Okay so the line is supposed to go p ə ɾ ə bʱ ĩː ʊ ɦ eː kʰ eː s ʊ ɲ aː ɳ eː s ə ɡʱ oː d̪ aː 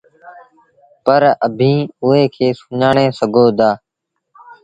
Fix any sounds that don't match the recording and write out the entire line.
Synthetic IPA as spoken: p ə ɾ ə bʱ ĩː ʊ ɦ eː kʰ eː s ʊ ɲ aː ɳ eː s ə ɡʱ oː d̪ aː